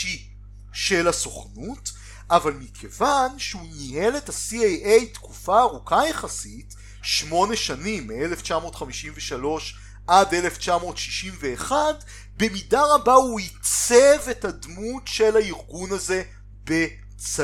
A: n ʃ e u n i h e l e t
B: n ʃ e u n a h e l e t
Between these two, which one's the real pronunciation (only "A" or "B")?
A